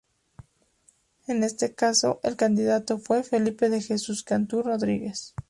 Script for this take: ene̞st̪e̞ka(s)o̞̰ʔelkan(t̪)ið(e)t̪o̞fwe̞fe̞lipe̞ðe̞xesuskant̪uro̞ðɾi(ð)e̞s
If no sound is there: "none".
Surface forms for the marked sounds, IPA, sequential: s, d̪, a, ɣ

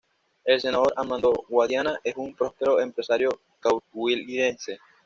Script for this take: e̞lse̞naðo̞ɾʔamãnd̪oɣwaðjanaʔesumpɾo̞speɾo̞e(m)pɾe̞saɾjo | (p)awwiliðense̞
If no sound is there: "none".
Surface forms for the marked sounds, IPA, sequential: m, k

